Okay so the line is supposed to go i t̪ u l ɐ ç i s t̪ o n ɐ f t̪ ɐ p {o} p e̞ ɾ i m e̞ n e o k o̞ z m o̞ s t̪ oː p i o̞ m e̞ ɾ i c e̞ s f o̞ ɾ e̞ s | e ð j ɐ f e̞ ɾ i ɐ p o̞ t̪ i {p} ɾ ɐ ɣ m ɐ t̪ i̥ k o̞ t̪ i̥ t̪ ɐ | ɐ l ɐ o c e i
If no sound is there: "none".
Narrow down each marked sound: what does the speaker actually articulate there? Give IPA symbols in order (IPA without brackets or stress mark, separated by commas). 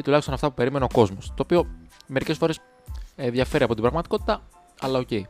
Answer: u, b